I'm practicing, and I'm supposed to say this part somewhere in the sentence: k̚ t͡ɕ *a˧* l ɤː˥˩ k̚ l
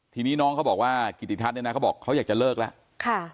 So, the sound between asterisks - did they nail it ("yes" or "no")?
no